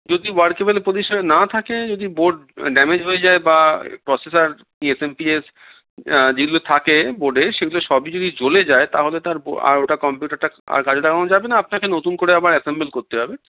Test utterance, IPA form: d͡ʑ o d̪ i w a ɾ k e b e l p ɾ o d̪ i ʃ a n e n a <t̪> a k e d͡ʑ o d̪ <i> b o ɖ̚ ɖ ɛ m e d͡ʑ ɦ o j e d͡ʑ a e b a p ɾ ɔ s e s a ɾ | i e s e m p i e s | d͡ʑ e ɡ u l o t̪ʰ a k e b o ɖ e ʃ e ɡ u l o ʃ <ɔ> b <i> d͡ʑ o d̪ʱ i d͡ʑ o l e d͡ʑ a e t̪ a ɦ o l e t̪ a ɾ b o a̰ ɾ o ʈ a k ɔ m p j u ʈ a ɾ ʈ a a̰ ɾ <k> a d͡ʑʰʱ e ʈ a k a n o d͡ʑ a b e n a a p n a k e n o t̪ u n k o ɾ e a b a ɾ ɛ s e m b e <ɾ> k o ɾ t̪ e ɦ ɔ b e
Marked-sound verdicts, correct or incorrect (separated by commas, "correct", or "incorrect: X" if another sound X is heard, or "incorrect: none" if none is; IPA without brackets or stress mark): incorrect: t̪ʰ, correct, correct, correct, correct, incorrect: l